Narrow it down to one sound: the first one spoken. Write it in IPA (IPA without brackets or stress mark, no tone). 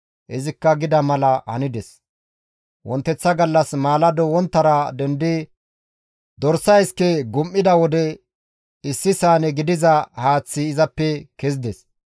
ʔ